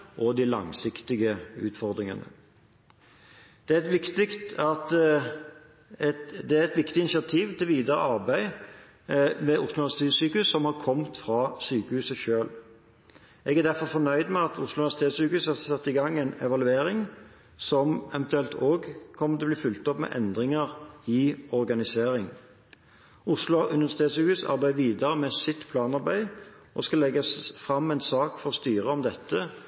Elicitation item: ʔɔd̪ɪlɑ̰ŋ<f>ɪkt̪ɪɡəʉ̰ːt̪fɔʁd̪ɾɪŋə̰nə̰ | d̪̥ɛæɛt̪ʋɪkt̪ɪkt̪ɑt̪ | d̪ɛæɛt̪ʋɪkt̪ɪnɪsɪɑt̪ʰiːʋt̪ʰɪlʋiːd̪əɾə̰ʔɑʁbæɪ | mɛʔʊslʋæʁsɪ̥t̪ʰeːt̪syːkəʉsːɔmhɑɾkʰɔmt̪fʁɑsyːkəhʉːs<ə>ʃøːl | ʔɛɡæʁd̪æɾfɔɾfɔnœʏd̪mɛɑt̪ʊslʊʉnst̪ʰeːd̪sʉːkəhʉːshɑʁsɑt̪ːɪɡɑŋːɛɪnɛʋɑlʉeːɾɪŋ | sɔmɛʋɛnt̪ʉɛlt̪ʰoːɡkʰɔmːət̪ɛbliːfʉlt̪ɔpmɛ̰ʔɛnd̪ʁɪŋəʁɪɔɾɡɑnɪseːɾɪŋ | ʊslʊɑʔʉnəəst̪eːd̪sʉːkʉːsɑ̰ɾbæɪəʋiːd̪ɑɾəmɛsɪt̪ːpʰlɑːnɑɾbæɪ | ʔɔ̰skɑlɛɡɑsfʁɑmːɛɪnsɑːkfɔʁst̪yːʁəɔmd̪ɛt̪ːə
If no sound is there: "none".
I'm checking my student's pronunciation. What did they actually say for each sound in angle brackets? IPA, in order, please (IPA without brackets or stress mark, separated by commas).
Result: s, ə